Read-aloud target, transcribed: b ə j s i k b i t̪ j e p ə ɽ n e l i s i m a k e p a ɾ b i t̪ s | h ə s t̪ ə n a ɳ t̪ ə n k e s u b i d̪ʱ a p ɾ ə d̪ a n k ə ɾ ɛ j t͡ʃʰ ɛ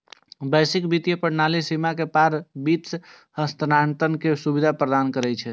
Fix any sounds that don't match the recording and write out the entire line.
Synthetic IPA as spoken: b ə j s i k b i t̪ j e p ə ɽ n a l i s i m a k e p a ɾ b i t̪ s | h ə s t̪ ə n a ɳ t̪ ə n k e s u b i d̪ʱ a p ɾ ə d̪ a n k ə ɾ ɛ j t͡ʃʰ ɛ